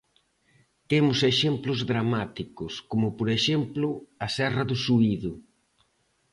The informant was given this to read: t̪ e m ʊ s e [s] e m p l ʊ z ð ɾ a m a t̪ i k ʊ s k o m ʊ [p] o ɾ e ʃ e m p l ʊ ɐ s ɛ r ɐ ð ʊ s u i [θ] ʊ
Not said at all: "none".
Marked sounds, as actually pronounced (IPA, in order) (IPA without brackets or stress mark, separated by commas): ʃ, p, ð